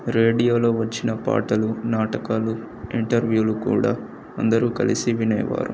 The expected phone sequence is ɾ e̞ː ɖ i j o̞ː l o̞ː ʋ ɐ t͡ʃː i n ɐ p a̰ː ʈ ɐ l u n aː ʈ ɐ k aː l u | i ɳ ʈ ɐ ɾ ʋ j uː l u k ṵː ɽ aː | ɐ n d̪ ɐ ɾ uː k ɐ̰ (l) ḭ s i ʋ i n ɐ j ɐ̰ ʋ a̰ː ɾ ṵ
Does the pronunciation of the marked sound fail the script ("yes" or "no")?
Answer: no